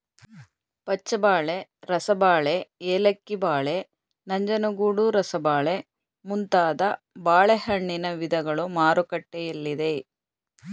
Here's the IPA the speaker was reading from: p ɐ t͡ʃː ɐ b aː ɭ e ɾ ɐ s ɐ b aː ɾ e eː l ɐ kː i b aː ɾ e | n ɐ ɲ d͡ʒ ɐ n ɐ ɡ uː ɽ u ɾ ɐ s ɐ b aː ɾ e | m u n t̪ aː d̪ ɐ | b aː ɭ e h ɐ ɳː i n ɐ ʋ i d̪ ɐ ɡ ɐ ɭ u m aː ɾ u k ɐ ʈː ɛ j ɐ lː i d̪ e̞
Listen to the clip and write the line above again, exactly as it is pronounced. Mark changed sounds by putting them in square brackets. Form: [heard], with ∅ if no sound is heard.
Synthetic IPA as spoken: p ɐ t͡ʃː ɐ b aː ɭ e ɾ ɐ s ɐ b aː [ɭ] e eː l ɐ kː i b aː [ɭ] e | n ɐ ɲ d͡ʒ ɐ n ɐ ɡ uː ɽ u ɾ ɐ s ɐ b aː [ɭ] e | m u n t̪ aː d̪ ɐ | b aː ɭ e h ɐ ɳː i n ɐ ʋ i d̪ ɐ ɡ ɐ ɭ u m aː ɾ u k ɐ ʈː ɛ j ɐ lː i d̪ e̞